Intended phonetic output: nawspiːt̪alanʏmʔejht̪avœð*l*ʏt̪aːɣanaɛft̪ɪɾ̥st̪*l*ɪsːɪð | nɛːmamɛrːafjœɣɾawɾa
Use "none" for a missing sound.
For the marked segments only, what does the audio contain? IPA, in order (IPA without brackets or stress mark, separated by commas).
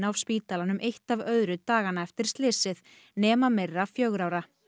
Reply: ɾ, l